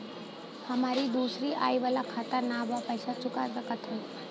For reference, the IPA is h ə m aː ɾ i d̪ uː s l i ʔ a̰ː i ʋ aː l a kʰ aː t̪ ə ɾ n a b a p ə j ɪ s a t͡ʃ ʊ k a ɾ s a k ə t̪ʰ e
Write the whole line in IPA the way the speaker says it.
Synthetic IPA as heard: h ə m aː ɾ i d̪ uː s ɾ i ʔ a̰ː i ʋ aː l a kʰ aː t̪ ə ɾ n a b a p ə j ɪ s a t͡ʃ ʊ k a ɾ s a k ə t̪ʰ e